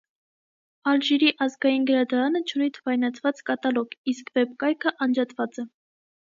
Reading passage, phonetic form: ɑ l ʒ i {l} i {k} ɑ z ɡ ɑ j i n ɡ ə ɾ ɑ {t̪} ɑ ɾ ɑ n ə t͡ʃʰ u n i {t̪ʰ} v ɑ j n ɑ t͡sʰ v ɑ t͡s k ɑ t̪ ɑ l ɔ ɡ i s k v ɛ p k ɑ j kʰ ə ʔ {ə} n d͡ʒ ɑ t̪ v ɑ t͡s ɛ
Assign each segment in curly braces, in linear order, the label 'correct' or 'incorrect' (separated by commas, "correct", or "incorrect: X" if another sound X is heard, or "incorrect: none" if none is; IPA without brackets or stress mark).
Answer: incorrect: ɾ, incorrect: ʔ, incorrect: d̪, correct, incorrect: ɑ